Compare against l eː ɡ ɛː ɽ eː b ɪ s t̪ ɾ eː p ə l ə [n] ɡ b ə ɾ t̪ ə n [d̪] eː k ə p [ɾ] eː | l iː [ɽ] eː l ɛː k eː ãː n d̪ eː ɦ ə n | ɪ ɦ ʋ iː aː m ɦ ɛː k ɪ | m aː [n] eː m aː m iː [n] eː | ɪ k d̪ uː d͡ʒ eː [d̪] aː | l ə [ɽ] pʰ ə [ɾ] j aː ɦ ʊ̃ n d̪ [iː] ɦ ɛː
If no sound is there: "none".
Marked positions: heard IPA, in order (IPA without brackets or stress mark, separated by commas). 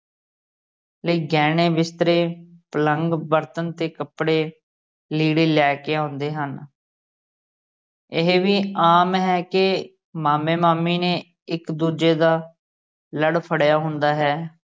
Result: ŋ, t̪, ɽ, ɽ, m, n, d̪, ɽ, ɽ, aː